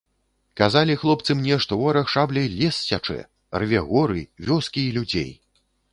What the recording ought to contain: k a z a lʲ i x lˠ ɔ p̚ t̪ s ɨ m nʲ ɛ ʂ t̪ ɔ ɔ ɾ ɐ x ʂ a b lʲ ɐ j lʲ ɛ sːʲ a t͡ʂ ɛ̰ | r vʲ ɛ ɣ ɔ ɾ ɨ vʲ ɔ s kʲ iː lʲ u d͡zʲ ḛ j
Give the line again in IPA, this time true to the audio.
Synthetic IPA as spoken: k a z a lʲ i x lˠ ɔ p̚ t̪ s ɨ m nʲ ɛ ʂ t̪ ɔ ɔ ɾ ɐ x ʂ a b lʲ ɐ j lʲ ɛ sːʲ a t͡ʂ ɛ̰ | r vʲ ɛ ɣ ɔ ɾ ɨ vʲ ɔ s kʲ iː lʲ u d͡zʲ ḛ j